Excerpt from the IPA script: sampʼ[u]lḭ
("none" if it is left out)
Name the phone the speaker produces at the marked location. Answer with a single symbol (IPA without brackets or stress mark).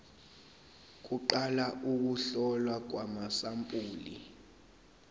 uː